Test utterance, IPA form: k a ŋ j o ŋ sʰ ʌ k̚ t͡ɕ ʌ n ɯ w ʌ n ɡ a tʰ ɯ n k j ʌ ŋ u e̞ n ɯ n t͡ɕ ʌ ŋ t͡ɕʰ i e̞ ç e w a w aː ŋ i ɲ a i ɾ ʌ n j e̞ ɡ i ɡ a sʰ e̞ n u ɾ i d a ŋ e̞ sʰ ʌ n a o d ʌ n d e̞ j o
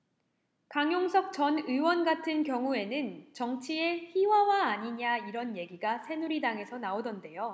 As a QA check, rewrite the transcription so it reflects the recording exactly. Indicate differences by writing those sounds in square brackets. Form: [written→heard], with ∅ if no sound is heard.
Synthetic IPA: k a ŋ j o ŋ sʰ ʌ k̚ t͡ɕ ʌ n ɯ w ʌ n ɡ a tʰ ɯ n k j ʌ ŋ u e̞ n ɯ n t͡ɕ ʌ ŋ t͡ɕʰ i e̞ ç [e→i] w a w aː [ŋ→ɲ] i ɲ a i ɾ ʌ n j e̞ ɡ i ɡ a sʰ e̞ n u ɾ i d a ŋ e̞ sʰ ʌ n a o d ʌ n d e̞ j o